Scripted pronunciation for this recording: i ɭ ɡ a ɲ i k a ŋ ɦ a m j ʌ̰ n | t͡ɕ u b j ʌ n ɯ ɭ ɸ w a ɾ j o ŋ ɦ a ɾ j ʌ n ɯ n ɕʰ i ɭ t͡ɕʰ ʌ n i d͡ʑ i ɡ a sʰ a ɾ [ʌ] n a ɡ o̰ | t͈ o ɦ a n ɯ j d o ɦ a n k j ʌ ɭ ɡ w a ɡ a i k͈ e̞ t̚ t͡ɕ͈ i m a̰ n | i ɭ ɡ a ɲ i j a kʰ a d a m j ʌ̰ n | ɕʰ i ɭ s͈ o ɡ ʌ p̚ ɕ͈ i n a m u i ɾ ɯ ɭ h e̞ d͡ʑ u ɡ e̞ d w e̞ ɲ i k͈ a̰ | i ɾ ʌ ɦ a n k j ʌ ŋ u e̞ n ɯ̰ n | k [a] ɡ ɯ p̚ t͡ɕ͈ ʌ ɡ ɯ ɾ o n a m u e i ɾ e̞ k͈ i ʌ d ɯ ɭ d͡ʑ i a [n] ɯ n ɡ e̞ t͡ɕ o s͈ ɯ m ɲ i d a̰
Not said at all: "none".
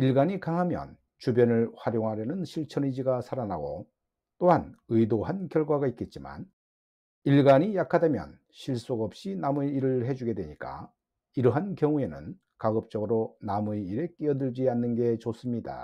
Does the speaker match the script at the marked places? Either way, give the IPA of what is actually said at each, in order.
a, a, nː

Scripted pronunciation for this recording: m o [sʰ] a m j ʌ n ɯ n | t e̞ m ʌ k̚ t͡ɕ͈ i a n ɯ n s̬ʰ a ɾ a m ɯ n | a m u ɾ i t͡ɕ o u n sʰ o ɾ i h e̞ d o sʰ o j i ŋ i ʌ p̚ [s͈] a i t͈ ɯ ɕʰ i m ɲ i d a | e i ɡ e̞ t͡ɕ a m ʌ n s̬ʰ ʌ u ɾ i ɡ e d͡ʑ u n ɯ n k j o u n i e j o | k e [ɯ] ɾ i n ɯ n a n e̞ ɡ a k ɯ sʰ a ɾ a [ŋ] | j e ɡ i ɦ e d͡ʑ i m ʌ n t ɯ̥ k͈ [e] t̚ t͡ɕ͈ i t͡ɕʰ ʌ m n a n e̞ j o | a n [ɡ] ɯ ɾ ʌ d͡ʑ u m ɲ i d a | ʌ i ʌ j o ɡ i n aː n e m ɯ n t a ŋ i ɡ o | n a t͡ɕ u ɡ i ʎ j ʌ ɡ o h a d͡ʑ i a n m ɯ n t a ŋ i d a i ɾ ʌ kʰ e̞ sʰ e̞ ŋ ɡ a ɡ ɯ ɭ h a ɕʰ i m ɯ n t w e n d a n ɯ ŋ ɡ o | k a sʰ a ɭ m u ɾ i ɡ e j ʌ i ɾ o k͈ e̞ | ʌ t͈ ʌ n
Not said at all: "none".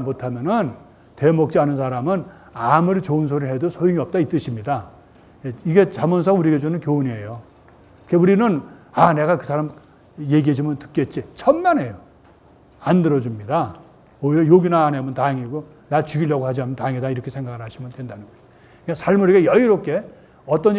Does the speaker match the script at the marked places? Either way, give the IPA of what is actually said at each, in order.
tʰ, t͈, u, m, e, d

